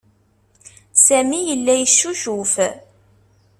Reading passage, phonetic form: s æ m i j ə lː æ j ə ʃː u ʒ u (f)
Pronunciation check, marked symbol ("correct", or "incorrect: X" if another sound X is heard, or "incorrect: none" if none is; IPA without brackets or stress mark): correct